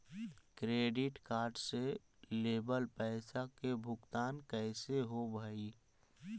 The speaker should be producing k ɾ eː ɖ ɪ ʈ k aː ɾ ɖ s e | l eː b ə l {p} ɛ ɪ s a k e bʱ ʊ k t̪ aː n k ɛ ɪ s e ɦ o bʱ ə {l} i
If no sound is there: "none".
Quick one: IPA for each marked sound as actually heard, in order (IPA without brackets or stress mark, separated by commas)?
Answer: p, none